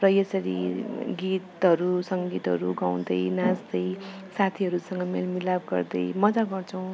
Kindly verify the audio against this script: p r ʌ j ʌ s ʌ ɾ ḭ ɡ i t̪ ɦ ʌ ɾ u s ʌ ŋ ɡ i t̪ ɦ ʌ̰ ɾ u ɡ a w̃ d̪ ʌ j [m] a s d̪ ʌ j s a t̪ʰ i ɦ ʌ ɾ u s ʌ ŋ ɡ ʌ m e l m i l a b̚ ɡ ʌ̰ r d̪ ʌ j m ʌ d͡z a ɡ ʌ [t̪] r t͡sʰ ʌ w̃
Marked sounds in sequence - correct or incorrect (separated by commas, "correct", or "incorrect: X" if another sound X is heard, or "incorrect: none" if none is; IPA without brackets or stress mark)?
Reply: incorrect: n, incorrect: none